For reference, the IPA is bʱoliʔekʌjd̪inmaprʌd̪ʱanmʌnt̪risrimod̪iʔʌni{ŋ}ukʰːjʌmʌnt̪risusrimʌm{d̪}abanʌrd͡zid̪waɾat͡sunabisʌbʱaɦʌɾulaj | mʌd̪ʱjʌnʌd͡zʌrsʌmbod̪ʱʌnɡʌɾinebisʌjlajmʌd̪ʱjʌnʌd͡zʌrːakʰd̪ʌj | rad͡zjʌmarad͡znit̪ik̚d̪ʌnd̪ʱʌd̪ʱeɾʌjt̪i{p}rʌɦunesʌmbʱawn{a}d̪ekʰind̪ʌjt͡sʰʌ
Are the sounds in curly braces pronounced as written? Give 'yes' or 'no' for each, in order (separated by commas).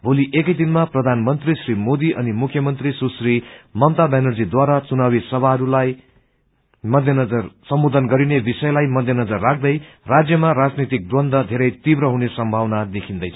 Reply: no, no, no, yes